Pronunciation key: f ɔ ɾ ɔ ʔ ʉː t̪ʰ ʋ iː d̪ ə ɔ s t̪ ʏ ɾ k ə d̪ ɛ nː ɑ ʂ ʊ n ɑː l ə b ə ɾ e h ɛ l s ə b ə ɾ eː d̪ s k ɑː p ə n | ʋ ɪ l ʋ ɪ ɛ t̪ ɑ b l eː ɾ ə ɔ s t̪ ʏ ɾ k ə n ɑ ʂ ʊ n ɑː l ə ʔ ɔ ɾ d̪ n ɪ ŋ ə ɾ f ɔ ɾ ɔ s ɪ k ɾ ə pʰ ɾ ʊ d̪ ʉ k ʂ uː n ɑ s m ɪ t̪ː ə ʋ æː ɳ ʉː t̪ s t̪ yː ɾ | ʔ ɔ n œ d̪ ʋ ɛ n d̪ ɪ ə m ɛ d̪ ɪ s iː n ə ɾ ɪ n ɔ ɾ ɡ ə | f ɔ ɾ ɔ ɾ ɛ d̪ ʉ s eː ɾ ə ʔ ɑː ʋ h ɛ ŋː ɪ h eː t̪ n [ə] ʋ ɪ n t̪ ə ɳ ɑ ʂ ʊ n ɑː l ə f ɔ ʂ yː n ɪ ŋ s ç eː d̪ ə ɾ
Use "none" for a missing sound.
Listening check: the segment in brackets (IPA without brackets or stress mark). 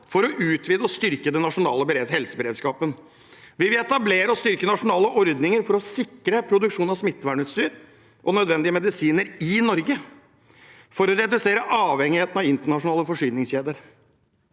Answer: ɑ